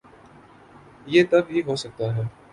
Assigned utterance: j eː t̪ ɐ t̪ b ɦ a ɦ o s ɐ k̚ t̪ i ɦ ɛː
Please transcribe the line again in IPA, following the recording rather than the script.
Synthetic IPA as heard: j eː t̪ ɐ b ɦ i ɦ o s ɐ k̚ t̪ a ɦ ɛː